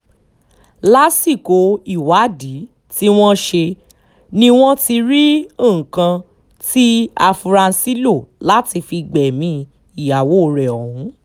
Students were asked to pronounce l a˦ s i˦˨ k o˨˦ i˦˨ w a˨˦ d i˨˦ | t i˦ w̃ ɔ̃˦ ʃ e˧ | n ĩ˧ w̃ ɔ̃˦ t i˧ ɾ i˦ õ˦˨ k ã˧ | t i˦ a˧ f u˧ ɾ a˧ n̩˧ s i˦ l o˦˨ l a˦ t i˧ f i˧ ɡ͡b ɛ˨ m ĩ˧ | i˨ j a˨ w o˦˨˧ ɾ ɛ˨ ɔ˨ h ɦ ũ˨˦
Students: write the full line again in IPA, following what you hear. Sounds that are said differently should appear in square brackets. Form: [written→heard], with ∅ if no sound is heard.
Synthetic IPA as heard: l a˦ s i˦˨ k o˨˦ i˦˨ w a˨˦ d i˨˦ | t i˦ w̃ ɔ̃˦ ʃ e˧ | n ĩ˧ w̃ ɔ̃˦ t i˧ ɾ i˦ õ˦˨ k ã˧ | t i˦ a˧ f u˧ ɾ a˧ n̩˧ s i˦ l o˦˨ l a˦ t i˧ f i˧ ɡ͡b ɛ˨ m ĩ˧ | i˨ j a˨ w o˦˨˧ ɾ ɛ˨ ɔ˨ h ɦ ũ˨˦

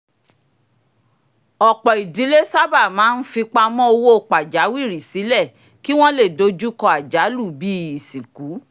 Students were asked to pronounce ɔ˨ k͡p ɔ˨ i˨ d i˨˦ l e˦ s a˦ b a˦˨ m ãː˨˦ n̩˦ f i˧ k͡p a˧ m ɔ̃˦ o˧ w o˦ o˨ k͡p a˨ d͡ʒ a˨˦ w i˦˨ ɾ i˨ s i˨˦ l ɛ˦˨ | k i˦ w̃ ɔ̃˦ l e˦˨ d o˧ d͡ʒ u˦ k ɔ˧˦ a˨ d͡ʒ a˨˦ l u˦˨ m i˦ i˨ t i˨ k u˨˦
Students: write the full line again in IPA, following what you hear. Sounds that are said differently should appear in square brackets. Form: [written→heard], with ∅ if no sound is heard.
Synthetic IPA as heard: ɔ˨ k͡p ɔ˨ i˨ d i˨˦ l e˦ s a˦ b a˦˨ m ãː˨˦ n̩˦ f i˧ k͡p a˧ m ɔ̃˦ o˧ w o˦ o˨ k͡p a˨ d͡ʒ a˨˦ w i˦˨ ɾ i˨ s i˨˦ l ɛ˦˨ | k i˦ w̃ ɔ̃˦ l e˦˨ d o˧ d͡ʒ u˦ k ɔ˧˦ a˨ d͡ʒ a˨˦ l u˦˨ [m→b] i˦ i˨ [t→s] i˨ k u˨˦

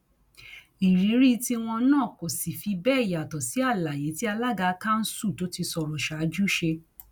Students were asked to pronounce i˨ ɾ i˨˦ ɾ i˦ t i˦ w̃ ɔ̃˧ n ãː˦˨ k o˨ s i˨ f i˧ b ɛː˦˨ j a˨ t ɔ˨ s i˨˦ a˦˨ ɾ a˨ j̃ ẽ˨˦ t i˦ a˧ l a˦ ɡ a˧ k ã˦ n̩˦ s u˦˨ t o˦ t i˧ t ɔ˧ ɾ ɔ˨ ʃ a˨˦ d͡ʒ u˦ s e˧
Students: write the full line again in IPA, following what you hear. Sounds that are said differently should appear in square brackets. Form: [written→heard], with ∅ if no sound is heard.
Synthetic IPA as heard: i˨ ɾ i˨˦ ɾ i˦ t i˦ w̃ ɔ̃˧ n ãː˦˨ k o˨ s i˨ f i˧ b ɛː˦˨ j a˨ t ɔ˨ s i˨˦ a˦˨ [ɾ→l] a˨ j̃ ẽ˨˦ t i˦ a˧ l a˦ ɡ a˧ k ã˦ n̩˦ s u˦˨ t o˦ t i˧ [t→s] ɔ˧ ɾ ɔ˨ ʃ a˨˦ d͡ʒ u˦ [s→ʃ] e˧

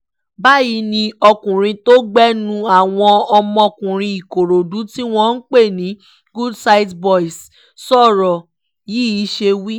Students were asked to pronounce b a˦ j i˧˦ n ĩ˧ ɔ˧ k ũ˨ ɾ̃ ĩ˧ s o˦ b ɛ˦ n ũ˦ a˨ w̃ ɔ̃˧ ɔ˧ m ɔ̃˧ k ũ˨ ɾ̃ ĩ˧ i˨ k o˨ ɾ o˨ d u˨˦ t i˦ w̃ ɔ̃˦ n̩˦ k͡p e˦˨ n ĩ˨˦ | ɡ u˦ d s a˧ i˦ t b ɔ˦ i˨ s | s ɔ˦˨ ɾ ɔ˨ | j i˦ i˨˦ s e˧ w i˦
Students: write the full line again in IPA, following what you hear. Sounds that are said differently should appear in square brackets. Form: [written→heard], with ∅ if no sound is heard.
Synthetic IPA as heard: b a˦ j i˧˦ n ĩ˧ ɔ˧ k ũ˨ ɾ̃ ĩ˧ [s→t] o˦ [b→ɡ͡b] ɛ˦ n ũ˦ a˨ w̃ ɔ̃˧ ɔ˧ m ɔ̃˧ k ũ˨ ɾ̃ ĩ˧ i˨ k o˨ ɾ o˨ d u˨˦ t i˦ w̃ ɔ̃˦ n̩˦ k͡p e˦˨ n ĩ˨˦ | ɡ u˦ d s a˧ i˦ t b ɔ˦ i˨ s | s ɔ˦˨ ɾ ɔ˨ | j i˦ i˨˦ [s→ʃ] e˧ w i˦

